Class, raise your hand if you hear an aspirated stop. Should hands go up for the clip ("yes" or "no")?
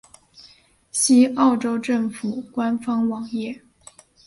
no